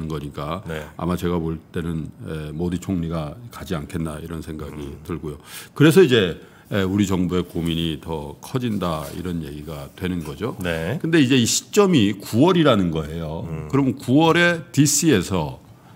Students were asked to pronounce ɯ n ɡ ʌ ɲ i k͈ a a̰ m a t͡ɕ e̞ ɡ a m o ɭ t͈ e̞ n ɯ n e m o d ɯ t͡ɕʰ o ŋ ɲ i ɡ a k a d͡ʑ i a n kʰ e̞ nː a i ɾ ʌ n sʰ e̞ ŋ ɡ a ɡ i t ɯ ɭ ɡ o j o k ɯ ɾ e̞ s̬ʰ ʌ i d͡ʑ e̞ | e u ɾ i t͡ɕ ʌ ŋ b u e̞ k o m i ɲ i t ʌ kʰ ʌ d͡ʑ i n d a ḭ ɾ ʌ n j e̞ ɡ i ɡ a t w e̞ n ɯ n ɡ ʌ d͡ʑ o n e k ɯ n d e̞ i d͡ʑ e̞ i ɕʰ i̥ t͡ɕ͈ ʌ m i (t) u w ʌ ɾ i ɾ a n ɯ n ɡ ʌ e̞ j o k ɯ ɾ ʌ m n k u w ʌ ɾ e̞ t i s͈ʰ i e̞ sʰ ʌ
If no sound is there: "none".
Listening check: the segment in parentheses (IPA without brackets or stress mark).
k